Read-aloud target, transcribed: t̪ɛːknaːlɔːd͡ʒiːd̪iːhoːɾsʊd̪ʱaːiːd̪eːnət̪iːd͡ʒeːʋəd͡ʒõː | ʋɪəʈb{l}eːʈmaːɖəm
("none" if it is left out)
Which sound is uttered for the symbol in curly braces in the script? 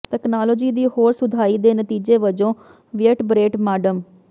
ɾ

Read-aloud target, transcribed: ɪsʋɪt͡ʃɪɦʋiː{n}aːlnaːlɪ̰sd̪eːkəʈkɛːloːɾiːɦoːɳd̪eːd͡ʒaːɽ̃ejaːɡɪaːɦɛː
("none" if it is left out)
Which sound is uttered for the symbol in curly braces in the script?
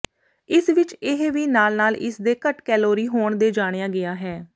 n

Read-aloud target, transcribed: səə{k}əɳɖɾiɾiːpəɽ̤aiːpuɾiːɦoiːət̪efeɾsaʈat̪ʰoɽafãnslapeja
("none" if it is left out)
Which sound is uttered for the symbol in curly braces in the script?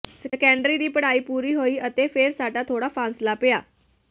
k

